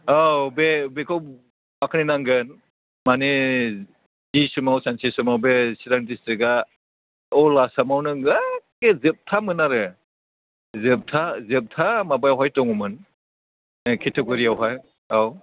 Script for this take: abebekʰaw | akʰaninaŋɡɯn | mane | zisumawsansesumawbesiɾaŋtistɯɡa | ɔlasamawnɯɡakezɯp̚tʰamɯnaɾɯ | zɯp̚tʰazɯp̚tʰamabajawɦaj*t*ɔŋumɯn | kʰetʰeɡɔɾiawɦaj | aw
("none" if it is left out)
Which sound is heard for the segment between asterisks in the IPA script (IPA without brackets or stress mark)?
t